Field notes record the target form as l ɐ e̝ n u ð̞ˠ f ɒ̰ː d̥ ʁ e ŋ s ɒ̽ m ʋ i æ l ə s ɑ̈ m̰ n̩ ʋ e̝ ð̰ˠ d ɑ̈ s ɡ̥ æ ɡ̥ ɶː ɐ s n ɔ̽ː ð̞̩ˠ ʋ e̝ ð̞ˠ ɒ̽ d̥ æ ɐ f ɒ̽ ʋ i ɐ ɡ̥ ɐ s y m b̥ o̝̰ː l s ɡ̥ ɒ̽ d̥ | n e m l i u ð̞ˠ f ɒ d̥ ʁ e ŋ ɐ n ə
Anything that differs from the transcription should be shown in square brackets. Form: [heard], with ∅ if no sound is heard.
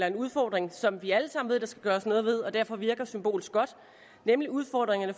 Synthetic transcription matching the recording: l ɐ e̝ n u ð̞ˠ f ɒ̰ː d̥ ʁ e ŋ s ɒ̽ m ʋ i æ l ə s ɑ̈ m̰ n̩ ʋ e̝ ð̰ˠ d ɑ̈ s ɡ̥ æ ɡ̥ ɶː ɐ s n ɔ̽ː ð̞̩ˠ ʋ e̝ ð̞ˠ ɒ̽ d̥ æ ɐ f ɒ̽ ʋ i ɐ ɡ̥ ɐ s y m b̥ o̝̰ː l s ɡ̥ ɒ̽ d̥ | n e m l i u ð̞ˠ f ɒ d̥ ʁ e ŋ ɐ n ə